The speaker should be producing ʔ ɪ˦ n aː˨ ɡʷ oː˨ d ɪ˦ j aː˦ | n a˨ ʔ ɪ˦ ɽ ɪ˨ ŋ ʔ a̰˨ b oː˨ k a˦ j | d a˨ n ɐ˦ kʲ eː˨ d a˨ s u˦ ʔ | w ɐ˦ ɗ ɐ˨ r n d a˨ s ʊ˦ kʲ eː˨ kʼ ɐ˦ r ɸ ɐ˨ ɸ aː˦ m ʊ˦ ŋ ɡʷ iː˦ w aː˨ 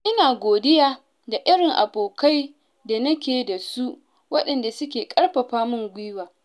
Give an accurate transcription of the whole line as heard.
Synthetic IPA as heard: ʔ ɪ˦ n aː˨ ɡʷ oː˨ d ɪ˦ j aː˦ | d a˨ ʔ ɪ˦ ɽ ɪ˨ ŋ ʔ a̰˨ b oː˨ k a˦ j | d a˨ n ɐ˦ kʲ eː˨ d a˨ s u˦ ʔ | w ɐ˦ ɗ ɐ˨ n d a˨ s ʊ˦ kʲ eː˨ kʼ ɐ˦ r ɸ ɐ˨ ɸ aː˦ m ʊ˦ ŋ ɡʷ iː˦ w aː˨